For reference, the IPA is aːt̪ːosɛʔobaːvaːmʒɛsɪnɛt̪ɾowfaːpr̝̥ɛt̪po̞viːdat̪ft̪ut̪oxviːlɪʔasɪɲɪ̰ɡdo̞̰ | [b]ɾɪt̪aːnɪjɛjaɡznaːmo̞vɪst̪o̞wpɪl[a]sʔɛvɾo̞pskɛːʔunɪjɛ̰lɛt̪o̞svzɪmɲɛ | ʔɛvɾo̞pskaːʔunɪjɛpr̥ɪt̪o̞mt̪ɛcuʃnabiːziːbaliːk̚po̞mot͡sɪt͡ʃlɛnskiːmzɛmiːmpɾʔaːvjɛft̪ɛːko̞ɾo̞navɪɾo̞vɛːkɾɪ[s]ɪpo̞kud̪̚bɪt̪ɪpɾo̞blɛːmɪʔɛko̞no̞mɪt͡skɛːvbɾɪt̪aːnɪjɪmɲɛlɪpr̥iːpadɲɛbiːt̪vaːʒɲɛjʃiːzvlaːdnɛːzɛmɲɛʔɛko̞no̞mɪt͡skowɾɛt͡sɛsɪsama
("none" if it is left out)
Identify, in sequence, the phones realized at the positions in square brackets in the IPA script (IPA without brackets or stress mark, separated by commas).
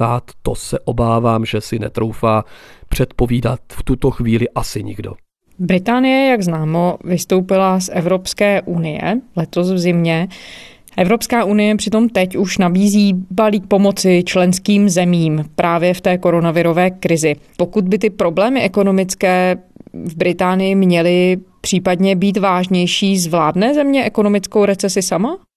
b, a, z